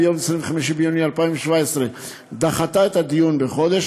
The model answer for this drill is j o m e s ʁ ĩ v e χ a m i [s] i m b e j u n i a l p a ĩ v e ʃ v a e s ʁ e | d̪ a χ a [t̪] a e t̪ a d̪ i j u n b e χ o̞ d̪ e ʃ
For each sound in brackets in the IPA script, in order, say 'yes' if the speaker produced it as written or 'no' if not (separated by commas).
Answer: no, yes